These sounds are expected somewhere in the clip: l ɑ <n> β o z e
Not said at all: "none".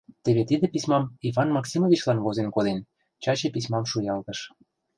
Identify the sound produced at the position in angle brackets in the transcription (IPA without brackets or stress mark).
n